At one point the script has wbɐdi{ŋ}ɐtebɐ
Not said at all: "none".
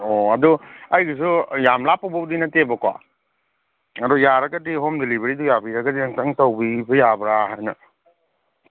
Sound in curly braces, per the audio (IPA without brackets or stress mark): n